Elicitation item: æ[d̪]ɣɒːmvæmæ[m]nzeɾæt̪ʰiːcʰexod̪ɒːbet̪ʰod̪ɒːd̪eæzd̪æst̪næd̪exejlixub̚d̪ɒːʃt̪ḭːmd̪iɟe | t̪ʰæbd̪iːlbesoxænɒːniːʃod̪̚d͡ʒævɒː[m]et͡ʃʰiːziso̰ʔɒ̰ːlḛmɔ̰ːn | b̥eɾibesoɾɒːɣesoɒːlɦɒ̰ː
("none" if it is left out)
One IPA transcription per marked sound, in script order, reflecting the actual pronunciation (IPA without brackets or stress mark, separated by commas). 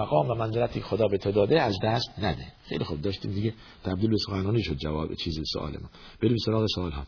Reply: none, none, b